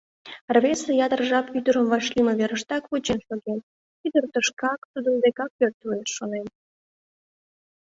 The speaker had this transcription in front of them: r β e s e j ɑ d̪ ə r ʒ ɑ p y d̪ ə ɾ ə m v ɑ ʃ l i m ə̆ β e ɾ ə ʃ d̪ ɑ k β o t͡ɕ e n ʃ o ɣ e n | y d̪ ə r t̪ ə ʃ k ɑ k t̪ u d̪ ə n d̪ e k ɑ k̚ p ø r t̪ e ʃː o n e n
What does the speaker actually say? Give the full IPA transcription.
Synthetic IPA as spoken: r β e s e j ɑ d̪ ə r ʒ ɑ p y d̪ ə ɾ ə m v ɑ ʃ l i m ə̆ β e ɾ ə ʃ t̪ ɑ k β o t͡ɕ e n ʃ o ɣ e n | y d̪ ə r t̪ ə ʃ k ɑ k t̪ u d̪ ə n d̪ e k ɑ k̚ p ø r t̪ e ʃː o n e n